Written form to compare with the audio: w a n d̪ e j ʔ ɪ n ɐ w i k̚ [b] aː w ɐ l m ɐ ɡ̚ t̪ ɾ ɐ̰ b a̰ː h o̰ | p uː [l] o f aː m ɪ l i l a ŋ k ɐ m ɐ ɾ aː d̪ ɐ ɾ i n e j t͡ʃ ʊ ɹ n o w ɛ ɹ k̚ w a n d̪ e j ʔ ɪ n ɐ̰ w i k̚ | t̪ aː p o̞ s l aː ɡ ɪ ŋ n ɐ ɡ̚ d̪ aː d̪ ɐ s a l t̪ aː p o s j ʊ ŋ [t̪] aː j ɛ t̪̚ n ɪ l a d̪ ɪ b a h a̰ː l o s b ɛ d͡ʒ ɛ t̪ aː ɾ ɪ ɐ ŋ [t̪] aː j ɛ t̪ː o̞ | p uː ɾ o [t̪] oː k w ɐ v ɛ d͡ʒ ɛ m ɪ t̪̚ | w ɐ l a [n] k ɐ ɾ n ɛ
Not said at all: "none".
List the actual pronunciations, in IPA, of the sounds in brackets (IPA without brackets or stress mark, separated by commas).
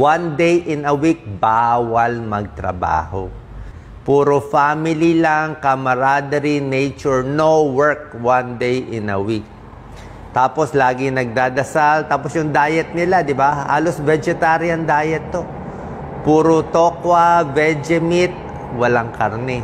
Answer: b, ɾ, d̪, d̪, t̪, ŋ